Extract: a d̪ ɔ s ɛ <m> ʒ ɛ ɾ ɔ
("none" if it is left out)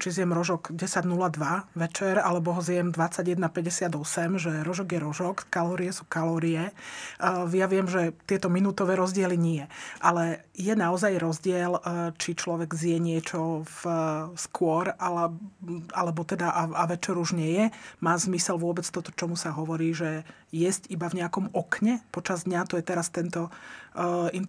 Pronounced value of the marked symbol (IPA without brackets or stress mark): m